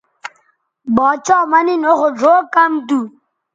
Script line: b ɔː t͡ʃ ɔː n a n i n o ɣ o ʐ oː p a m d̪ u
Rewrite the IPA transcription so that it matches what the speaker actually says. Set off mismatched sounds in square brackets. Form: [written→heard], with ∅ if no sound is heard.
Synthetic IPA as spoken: b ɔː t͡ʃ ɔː [n→m] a n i n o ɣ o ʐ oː [p→k] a m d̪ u